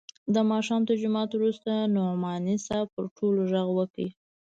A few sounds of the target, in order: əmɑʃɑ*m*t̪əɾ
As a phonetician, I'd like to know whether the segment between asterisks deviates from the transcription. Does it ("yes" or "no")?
no